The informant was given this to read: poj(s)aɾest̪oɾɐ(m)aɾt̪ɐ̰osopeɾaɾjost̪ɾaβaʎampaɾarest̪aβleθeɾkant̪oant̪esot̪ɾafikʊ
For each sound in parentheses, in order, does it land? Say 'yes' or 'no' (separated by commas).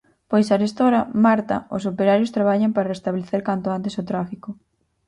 yes, yes